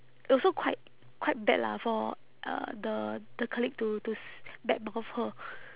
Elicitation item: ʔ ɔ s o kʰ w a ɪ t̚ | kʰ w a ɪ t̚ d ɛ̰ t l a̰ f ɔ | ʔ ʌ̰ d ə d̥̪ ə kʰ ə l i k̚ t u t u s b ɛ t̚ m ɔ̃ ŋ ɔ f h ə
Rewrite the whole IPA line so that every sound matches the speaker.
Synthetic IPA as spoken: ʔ ɔ s o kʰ w a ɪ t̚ | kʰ w a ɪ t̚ b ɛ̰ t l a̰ f ɔ | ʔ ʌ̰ d ə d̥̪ ə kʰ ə l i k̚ t u t u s b ɛ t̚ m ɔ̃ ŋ ɔ f h ə